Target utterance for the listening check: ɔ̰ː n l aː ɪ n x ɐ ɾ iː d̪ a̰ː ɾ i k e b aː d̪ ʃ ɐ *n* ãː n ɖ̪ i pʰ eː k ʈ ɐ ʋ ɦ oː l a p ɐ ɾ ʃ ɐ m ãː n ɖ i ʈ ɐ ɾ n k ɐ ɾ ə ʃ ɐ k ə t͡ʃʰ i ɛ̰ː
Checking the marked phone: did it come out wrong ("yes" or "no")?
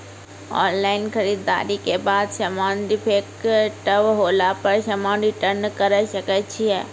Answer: yes